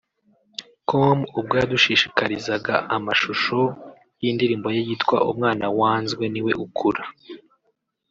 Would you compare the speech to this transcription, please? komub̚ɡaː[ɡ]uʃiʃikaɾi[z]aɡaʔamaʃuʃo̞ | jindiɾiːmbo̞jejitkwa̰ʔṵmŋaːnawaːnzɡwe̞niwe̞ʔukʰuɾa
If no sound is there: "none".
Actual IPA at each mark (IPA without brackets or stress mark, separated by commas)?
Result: d, z